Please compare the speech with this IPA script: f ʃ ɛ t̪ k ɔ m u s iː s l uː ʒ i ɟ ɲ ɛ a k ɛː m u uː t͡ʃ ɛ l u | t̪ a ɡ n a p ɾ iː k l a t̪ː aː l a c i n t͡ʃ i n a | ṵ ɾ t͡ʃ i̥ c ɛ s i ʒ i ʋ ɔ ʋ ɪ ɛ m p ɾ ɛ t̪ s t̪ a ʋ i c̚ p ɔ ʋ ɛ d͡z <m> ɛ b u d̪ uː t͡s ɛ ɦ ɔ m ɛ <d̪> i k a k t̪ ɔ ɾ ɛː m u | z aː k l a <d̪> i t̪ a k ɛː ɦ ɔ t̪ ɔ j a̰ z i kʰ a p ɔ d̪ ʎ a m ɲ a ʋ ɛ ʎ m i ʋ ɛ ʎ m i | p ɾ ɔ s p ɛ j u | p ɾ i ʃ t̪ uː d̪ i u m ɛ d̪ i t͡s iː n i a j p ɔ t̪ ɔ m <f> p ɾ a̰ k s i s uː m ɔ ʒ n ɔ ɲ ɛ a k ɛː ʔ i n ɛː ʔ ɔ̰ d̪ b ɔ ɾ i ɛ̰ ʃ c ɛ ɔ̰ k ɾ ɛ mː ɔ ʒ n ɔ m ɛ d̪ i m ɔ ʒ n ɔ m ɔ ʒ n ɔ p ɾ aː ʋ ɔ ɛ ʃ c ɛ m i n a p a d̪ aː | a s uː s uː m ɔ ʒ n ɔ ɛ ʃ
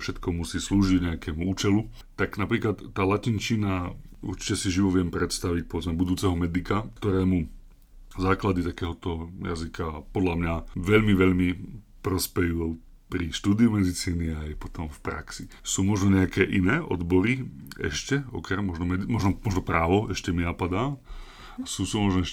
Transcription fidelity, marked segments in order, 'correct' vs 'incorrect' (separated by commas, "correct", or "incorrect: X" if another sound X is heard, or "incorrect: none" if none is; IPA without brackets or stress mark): correct, correct, correct, correct